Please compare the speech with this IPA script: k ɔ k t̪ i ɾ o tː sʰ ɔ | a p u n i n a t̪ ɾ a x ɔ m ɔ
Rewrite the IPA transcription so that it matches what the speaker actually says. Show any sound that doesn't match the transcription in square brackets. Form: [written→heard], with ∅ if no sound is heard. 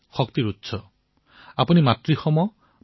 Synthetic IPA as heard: [k→x] ɔ k t̪ i ɾ [o→u] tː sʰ ɔ | a p u n i [n→m] a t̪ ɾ [a→i] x ɔ m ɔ